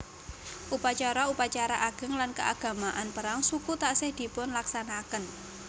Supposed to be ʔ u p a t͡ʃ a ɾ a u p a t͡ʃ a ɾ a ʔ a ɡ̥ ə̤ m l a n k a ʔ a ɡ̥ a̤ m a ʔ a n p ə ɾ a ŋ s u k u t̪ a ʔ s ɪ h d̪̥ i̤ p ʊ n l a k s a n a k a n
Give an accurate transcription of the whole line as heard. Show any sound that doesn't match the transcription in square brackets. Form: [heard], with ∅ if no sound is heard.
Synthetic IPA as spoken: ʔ u p a t͡ʃ a ɾ a u p a t͡ʃ a ɾ a ʔ a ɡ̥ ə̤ [ŋ] l a n k [ə] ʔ a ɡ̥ a̤ m a ʔ a n p ə ɾ a ŋ s u k u t̪ a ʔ s ɪ h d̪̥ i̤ p ʊ n l a k s a n a k [ə] n